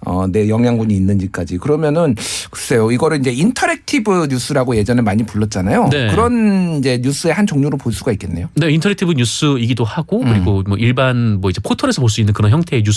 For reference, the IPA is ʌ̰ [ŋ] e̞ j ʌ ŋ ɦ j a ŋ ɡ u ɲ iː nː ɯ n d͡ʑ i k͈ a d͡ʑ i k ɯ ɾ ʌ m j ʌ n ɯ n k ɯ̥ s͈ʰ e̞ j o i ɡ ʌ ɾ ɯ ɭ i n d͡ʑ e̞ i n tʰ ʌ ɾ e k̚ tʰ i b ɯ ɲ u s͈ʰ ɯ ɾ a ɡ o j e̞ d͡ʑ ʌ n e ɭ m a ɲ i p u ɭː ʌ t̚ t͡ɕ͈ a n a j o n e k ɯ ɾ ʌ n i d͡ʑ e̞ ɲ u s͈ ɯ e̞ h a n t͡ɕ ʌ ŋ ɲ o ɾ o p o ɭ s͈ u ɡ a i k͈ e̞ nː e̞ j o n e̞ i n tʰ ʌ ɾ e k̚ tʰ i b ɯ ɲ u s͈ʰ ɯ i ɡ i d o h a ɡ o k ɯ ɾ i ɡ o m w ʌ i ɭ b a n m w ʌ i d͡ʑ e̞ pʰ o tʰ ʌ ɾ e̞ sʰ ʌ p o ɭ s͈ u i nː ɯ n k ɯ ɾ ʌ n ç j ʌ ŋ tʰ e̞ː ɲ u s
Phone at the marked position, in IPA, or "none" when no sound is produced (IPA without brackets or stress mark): n